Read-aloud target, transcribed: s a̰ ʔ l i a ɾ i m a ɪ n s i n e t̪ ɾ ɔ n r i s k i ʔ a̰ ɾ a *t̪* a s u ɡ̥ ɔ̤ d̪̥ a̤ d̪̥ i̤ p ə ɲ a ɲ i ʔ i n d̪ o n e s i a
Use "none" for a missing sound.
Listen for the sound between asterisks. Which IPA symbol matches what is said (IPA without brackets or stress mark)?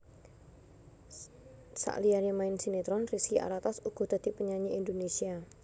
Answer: t̪